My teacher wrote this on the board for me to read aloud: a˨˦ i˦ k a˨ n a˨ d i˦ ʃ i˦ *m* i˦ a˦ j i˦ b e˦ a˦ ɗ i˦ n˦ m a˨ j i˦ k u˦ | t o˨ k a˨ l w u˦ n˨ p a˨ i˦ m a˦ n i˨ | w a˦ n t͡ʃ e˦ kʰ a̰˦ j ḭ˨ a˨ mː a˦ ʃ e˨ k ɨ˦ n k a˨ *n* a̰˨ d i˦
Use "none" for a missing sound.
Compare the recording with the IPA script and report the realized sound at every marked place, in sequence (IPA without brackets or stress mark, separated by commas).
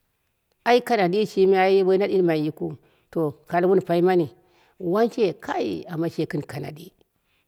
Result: m, n